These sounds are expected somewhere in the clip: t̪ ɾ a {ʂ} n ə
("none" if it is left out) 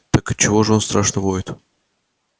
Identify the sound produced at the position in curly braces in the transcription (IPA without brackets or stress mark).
ʂ